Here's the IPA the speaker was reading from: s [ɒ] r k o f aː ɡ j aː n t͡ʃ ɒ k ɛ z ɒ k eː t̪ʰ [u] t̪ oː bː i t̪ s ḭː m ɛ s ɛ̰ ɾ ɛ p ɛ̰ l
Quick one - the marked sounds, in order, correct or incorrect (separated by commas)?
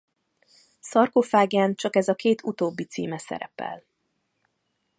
correct, correct